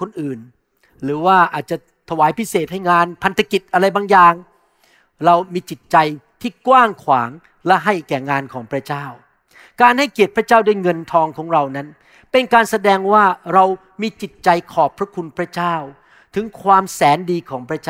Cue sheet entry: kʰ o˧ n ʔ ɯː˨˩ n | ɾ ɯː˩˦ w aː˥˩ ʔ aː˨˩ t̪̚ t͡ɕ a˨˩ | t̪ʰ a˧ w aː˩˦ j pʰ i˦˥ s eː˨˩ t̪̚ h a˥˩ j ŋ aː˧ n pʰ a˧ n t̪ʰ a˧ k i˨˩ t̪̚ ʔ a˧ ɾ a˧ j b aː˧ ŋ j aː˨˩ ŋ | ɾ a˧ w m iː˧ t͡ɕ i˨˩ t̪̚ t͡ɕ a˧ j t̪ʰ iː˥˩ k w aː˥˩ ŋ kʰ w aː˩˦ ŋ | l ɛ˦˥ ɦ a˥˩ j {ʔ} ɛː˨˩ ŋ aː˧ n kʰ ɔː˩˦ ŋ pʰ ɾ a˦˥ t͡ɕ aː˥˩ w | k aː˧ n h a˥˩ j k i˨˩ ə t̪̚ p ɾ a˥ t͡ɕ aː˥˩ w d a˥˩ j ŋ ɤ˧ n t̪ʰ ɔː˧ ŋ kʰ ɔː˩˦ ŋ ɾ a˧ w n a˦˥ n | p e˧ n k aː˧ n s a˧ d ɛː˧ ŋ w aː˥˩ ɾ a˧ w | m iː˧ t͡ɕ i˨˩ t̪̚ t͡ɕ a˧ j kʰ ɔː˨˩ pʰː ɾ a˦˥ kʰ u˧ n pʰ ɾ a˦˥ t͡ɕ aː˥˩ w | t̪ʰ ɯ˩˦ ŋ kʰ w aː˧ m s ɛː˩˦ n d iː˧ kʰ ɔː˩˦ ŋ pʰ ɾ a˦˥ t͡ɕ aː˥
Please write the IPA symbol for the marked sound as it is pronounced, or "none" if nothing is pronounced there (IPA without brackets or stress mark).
k